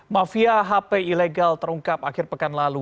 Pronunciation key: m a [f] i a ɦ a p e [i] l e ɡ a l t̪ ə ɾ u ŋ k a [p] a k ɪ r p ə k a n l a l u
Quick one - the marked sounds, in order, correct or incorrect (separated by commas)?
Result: correct, correct, correct